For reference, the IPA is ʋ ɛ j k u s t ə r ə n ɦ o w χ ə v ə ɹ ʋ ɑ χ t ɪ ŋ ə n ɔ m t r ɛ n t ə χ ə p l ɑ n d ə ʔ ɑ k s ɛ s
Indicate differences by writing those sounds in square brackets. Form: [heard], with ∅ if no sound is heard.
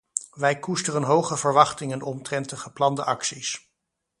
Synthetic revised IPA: ʋ ɛ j k u s t ə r ə n ɦ o w χ ə v ə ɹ ʋ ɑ χ t ɪ ŋ ə n ɔ m t r ɛ n t ə χ ə p l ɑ n d ə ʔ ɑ k s [i] s